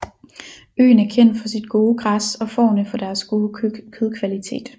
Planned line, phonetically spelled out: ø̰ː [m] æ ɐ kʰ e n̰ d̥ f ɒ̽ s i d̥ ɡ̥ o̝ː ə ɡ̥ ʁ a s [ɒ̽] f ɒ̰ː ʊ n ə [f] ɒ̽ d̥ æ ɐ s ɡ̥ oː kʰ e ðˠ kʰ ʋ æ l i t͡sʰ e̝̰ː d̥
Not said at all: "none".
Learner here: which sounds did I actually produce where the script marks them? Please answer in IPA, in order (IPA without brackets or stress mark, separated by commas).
n, ɒ̽, f